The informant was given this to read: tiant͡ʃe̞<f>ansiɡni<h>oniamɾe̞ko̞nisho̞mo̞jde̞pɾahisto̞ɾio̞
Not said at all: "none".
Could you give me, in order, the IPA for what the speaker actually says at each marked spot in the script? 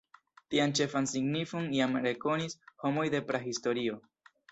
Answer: f, f

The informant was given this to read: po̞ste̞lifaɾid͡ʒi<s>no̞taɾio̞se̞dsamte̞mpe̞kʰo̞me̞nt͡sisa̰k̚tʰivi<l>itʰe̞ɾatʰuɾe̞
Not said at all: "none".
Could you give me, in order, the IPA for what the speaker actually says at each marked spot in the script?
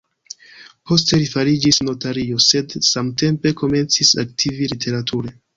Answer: s, l

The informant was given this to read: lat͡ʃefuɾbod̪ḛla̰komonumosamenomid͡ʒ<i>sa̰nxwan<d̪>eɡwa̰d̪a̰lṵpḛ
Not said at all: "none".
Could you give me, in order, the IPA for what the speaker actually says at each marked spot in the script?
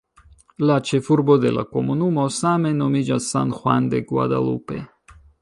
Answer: a, d̪

